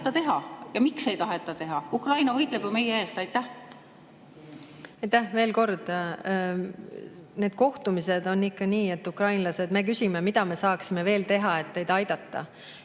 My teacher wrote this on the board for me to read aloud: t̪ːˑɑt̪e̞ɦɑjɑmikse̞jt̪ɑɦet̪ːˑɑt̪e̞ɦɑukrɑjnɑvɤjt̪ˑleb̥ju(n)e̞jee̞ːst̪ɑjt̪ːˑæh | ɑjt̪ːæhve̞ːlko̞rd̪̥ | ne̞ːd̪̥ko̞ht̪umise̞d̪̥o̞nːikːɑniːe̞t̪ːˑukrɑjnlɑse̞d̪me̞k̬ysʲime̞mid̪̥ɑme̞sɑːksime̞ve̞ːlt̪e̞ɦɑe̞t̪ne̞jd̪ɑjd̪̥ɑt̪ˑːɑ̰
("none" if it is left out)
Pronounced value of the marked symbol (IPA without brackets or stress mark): m